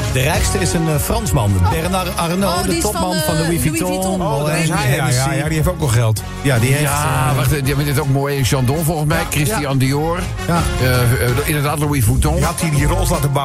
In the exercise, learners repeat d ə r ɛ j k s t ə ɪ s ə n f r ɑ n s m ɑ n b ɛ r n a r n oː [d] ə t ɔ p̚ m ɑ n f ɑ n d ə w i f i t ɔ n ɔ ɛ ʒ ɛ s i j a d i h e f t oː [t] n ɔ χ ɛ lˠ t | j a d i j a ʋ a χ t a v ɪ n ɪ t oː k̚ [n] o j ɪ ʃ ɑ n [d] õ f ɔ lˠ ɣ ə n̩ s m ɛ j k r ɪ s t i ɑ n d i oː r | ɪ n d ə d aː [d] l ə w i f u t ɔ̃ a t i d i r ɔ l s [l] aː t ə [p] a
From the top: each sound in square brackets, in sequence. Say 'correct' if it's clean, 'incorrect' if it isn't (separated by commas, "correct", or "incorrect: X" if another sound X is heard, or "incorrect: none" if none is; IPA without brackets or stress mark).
correct, incorrect: k, incorrect: m, correct, incorrect: t, correct, incorrect: b